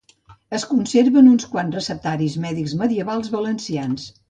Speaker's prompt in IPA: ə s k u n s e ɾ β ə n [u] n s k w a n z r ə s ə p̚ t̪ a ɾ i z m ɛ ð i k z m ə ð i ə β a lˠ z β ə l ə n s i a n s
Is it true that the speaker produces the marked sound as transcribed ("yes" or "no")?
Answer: yes